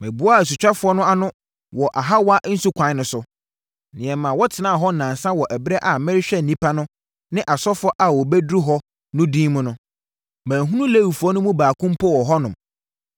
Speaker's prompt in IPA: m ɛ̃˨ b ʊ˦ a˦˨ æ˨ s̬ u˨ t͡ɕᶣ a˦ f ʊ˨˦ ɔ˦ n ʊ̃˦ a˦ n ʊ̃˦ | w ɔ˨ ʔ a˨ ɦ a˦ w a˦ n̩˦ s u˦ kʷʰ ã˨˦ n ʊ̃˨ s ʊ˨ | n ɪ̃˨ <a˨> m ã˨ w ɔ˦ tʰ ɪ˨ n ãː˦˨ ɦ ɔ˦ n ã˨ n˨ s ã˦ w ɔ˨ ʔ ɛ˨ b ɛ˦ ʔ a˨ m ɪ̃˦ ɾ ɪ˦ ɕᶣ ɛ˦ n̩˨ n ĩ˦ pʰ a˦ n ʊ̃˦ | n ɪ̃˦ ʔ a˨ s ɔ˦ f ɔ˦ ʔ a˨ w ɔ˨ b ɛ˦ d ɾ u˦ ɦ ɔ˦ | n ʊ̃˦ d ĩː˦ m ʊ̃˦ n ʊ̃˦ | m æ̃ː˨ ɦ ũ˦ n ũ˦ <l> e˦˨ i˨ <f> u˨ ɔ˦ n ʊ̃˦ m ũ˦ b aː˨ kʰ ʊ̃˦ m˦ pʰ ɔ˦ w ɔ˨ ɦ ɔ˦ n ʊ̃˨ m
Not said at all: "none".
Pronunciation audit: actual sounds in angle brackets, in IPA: ɛ˨, l, f

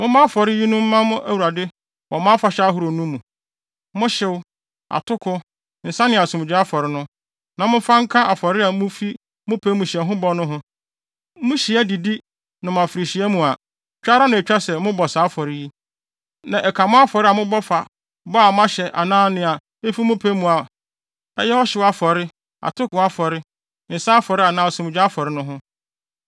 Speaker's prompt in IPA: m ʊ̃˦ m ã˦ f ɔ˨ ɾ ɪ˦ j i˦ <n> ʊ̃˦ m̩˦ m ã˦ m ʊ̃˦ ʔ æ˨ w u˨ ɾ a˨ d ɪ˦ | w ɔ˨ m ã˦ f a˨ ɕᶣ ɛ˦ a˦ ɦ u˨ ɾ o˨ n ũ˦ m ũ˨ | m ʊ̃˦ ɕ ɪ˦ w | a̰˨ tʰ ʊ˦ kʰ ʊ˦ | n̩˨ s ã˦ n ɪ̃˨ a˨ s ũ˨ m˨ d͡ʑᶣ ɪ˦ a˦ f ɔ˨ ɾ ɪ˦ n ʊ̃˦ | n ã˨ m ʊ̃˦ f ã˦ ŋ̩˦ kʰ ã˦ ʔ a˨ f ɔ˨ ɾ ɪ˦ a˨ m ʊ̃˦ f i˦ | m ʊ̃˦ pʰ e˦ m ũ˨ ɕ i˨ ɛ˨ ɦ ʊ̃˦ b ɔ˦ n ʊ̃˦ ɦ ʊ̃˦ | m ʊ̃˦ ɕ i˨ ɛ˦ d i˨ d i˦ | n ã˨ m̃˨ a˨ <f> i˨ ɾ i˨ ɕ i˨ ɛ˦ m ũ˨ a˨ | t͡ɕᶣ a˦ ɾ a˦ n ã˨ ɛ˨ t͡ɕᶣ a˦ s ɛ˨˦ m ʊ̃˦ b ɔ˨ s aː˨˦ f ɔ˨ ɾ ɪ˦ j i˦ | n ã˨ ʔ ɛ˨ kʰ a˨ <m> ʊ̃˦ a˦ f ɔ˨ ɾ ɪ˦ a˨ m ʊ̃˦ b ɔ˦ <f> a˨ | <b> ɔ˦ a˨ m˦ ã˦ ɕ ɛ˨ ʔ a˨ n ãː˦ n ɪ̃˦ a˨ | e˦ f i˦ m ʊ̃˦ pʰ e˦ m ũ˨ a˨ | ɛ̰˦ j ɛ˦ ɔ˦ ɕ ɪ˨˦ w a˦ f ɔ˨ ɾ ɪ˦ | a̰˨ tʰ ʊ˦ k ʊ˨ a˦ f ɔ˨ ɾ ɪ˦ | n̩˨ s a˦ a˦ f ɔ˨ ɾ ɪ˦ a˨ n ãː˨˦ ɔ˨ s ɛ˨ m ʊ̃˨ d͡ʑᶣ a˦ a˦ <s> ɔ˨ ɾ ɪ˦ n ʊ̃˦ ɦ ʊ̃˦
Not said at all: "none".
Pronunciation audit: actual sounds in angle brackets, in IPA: n, f, m, f, b, f

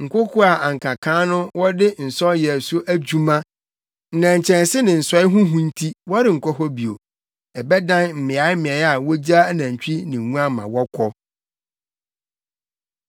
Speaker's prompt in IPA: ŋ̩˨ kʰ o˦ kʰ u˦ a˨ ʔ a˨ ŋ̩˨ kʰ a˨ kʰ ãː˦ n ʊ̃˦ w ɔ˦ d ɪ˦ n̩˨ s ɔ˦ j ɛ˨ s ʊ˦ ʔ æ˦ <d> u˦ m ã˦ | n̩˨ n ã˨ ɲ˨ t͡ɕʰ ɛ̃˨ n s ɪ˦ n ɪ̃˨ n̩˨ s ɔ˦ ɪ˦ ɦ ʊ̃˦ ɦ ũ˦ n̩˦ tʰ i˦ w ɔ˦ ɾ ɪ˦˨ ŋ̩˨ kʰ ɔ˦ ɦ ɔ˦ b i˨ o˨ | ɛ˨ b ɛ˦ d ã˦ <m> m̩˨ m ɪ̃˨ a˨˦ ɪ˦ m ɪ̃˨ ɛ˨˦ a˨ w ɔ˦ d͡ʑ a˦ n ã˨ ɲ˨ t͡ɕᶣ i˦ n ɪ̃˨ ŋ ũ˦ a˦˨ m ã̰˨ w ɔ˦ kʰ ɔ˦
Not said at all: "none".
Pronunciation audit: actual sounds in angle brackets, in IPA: d͡ʑ, n

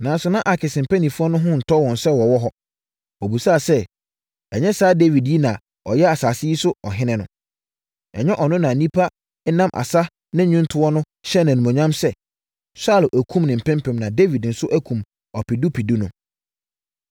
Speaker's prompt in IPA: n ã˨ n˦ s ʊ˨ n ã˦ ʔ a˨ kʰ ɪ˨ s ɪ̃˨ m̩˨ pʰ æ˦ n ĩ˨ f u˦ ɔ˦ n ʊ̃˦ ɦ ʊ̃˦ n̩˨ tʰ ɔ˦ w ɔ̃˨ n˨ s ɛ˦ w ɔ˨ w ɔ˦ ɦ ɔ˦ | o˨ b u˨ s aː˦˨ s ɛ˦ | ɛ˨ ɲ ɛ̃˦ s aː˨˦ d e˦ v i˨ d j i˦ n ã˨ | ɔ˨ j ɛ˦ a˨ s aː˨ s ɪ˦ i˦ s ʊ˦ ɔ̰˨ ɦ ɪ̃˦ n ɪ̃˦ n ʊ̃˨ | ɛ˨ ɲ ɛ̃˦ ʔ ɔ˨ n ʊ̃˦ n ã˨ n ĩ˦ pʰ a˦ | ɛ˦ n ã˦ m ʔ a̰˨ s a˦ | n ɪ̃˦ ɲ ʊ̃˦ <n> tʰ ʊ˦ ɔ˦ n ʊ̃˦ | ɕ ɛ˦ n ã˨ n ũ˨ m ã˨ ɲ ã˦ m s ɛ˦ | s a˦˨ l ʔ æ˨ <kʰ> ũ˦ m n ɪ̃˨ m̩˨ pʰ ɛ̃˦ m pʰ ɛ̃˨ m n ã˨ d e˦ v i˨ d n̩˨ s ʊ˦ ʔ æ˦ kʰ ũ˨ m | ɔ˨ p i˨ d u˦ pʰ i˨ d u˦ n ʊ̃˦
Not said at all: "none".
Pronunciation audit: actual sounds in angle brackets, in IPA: n, kʰ

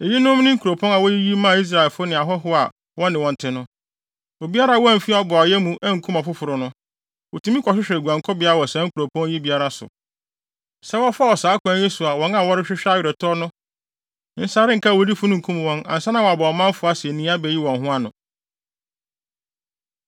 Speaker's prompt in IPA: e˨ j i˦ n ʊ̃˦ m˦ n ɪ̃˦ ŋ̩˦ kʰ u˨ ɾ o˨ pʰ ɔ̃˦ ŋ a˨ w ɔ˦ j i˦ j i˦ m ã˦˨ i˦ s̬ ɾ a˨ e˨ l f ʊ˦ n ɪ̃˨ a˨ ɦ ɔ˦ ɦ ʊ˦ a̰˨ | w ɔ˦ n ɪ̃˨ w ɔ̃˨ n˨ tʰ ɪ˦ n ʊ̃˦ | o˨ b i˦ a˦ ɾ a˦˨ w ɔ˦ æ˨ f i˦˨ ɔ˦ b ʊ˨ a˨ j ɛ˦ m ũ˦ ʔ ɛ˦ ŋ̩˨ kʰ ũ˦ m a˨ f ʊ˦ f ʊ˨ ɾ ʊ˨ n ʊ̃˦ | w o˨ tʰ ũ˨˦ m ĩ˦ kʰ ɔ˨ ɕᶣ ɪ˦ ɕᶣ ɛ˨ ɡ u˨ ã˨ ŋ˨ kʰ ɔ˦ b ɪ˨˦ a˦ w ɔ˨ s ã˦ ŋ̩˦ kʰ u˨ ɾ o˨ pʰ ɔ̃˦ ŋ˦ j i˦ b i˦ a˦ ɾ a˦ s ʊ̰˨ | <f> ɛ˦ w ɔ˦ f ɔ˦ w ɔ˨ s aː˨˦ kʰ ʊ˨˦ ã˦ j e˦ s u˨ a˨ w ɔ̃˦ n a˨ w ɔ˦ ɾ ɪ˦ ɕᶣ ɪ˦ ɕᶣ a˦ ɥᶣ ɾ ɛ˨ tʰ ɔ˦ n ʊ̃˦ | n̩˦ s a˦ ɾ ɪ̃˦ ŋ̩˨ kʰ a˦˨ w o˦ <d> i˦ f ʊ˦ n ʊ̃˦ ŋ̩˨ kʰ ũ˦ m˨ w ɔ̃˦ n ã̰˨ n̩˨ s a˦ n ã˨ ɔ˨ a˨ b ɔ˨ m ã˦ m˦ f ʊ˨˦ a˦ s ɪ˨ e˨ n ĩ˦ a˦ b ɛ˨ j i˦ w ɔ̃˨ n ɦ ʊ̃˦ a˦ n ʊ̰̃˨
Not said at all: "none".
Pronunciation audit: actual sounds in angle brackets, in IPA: s, d

